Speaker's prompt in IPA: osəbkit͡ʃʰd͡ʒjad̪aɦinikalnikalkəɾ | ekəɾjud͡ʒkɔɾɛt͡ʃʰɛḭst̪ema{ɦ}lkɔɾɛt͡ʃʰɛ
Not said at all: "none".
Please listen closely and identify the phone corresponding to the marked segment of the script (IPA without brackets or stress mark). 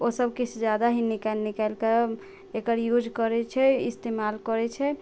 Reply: none